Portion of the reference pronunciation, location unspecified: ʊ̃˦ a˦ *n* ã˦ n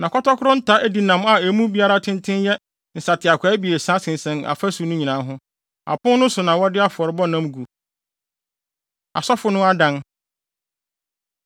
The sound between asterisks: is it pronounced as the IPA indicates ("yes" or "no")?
no